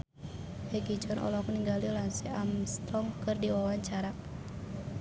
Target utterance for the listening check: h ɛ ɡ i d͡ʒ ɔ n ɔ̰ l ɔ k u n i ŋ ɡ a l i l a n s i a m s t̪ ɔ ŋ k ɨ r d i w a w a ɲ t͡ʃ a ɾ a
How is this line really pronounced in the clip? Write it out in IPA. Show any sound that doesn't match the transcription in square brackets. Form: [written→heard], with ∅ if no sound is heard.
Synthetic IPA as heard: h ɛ ɡ i d͡ʒ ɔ n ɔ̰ l ɔ k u n i ŋ ɡ a l i l a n s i a m s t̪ ɔ ŋ k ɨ r d i w a w a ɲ t͡ʃ a ɾ a